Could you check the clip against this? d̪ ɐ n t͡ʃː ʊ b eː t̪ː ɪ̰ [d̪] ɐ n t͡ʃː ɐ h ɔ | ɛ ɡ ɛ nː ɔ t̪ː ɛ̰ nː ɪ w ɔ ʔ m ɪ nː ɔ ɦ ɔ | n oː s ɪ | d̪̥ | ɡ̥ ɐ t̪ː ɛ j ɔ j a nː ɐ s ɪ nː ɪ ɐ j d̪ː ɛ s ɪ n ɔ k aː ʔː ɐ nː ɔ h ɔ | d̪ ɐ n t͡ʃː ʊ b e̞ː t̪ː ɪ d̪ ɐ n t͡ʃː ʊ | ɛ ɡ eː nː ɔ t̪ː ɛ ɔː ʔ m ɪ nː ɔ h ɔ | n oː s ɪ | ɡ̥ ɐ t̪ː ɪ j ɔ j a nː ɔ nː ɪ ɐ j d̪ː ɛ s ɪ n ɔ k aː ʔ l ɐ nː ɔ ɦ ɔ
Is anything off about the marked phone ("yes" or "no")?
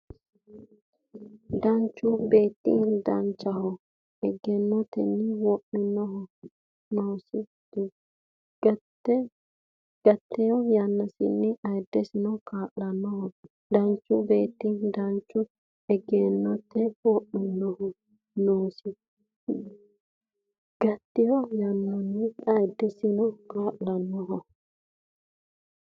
no